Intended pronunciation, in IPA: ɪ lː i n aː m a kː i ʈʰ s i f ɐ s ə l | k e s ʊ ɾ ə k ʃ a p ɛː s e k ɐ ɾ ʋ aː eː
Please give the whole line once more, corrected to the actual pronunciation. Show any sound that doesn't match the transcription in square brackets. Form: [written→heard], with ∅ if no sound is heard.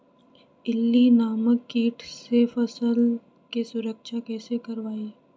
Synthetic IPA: ɪ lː i n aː m [a→ə] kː [i→iː] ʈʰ s [i→e] f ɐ s ə l | k e s ʊ ɾ ə k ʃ a [p→k] ɛː s e k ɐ ɾ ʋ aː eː